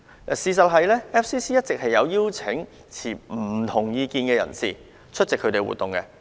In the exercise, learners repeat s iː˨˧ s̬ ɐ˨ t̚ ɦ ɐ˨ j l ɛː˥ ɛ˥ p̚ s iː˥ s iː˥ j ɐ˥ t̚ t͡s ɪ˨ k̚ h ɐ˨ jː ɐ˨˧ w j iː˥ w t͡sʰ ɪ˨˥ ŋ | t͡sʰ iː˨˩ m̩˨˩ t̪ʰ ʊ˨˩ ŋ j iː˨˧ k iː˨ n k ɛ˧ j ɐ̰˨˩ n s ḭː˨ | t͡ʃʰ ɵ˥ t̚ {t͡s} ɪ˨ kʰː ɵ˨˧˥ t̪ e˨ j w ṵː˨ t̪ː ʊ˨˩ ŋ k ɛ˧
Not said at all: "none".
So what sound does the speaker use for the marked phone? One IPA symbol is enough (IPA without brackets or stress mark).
t͡s